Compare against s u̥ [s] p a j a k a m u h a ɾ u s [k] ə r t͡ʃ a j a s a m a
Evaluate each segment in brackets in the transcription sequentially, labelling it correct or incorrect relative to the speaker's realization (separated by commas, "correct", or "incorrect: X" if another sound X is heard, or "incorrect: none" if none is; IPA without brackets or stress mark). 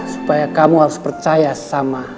incorrect: none, incorrect: p